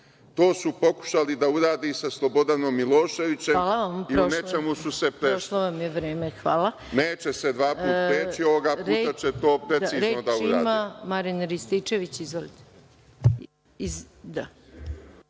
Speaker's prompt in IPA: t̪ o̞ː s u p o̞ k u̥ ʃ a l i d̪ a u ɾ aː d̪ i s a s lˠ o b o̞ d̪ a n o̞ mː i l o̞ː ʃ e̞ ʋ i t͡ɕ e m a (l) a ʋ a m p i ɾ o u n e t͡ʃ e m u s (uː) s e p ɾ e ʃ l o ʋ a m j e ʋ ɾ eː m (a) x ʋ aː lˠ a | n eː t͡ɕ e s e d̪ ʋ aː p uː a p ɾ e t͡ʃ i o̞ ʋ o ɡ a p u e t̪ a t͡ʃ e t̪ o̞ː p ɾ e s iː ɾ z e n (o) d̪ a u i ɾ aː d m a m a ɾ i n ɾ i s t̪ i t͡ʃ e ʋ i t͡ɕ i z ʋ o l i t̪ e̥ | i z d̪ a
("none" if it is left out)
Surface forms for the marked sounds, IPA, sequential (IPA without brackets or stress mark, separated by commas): l, u, e, o